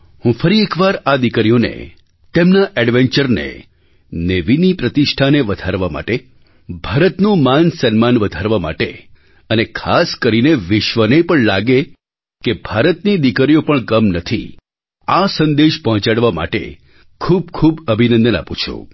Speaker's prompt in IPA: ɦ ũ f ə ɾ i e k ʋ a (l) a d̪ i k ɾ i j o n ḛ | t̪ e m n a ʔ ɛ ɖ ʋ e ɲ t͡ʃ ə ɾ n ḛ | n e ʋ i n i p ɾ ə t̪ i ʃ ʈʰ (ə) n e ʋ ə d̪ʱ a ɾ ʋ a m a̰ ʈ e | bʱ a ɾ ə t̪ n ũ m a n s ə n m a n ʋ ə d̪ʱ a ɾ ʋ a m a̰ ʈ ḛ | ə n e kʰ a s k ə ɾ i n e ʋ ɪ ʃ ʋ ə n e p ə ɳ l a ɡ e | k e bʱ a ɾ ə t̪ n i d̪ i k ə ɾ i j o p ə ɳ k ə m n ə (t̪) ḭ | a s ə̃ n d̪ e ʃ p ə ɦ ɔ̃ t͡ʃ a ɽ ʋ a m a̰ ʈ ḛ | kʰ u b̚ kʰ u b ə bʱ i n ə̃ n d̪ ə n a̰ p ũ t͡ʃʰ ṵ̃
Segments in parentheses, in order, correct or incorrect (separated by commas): incorrect, incorrect, incorrect